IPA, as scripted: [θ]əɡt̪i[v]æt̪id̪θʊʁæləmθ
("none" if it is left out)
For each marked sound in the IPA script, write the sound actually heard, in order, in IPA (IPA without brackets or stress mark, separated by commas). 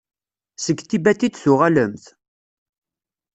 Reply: s, b